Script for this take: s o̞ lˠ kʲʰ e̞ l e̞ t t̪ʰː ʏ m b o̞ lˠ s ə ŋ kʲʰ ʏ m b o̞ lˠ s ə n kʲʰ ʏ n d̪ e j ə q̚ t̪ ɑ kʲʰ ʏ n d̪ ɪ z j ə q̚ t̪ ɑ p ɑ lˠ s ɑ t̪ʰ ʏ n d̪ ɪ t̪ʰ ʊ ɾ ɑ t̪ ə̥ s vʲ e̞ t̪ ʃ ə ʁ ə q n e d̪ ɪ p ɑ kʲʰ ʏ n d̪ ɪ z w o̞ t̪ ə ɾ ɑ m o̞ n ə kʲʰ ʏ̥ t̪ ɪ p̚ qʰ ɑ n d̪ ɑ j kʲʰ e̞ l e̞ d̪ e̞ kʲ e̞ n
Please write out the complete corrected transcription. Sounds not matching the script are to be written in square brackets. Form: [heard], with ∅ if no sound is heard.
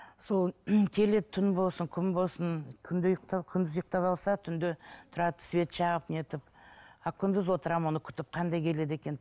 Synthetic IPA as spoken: s o̞ lˠ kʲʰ e̞ l e̞ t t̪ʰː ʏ [n] b o̞ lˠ s ə ŋ kʲʰ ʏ m b o̞ lˠ s ə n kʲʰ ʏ n d̪ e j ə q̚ t̪ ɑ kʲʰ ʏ n d̪ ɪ z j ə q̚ t̪ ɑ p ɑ lˠ s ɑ t̪ʰ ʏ n d̪ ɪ t̪ʰ ʊ ɾ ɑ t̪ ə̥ s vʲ e̞ t̪ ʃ [ɑ] ʁ ə [p] n e [t̪] ɪ p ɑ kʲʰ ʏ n d̪ ɪ z w o̞ t̪ ə ɾ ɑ m o̞ n ə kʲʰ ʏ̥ t̪ ɪ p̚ qʰ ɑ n d̪ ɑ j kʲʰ e̞ l e̞ d̪ e̞ kʲ e̞ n

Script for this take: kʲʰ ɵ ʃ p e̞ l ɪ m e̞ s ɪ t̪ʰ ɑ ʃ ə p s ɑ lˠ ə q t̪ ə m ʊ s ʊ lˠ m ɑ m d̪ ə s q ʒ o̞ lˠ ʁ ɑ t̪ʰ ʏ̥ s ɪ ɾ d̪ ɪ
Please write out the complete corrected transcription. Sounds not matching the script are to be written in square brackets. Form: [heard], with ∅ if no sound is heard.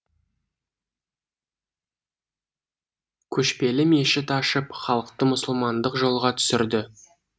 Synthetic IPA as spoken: kʲʰ ɵ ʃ p e̞ l ɪ m e̞ [ʃ] ɪ [t̪] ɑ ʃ ə p [χ] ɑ lˠ ə q t̪ ə m ʊ s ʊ lˠ m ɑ [n] d̪ ə [∅] q ʒ o̞ lˠ ʁ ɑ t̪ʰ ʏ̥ s ɪ ɾ d̪ ɪ

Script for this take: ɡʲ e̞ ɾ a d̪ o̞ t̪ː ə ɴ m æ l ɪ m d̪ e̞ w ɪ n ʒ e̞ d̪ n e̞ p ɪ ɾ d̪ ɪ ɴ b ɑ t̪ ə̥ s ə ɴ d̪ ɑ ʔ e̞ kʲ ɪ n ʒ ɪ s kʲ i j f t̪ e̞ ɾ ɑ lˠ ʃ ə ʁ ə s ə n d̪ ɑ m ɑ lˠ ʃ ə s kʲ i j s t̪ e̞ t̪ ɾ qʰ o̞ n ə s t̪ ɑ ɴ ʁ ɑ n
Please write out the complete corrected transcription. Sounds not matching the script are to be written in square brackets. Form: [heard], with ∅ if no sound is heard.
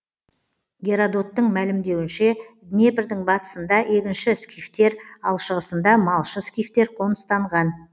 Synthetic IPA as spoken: ɡʲ e̞ ɾ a d̪ o̞ t̪ː ə ɴ m æ l ɪ m d̪ e̞ w ɪ n [ʃ] e̞ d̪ n e̞ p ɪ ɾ d̪ ɪ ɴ b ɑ t̪ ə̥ s ə [n] d̪ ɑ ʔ e̞ kʲ ɪ n [ʃ] ɪ s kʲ i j f t̪ e̞ ɾ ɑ lˠ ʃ ə ʁ ə s ə n d̪ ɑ m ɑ lˠ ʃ ə s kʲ i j [f] t̪ e̞ [∅] ɾ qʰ o̞ n ə s t̪ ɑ ɴ ʁ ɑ n

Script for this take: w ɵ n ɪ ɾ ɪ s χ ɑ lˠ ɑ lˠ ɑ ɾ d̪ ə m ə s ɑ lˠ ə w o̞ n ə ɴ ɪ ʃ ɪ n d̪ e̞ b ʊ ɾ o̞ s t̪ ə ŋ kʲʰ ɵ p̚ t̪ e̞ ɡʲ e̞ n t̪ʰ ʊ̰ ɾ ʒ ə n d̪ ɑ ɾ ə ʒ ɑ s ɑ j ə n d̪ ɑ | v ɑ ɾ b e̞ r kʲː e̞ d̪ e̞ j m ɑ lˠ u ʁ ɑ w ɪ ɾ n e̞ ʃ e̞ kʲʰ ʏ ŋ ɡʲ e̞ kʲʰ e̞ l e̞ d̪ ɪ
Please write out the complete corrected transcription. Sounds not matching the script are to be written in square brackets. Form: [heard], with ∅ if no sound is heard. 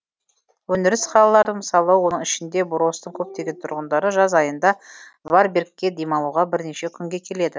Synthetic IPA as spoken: w ɵ n ɪ ɾ ɪ s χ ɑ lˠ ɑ lˠ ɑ ɾ d̪ ə m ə s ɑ lˠ ə w o̞ n ə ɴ ɪ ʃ ɪ n d̪ e̞ b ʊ ɾ o̞ s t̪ ə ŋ kʲʰ ɵ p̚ t̪ e̞ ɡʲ e̞ n t̪ʰ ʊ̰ ɾ [ʁ] ə n d̪ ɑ ɾ ə ʒ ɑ [z] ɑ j ə n d̪ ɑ | v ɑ ɾ b e̞ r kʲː e̞ d̪ e̞ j m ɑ lˠ u ʁ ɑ [b] ɪ ɾ n e̞ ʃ e̞ kʲʰ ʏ ŋ ɡʲ e̞ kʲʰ e̞ l e̞ d̪ ɪ

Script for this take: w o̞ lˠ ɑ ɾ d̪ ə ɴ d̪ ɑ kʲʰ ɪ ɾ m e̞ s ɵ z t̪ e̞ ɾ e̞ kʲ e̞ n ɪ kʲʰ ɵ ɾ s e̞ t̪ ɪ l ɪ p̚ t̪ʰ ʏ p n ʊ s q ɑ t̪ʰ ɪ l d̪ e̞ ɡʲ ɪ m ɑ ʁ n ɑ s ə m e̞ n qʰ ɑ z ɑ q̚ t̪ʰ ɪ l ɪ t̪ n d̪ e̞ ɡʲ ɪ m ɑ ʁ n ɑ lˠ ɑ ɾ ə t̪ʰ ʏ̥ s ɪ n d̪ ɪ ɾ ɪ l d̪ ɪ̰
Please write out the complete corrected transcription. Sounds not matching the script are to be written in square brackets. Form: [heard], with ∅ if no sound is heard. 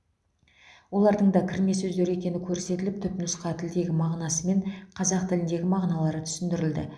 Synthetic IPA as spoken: w o̞ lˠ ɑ ɾ d̪ ə ɴ d̪ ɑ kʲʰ ɪ ɾ m e̞ s ɵ z [d̪] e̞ ɾ e̞ kʲ e̞ n ɪ kʲʰ ɵ ɾ s e̞ t̪ ɪ l ɪ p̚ t̪ʰ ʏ p n ʊ s q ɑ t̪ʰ ɪ l d̪ e̞ ɡʲ ɪ m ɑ ʁ n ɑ s ə m e̞ [ɴ] qʰ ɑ z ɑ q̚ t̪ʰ ɪ l ɪ [∅] n d̪ e̞ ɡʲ ɪ m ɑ ʁ n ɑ lˠ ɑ ɾ ə t̪ʰ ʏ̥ s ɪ n d̪ ɪ ɾ ɪ l d̪ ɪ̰

